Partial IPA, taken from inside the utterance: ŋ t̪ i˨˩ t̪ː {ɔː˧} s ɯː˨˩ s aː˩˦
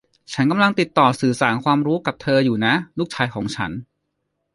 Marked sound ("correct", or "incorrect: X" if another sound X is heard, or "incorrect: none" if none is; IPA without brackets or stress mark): incorrect: ɔː˨˩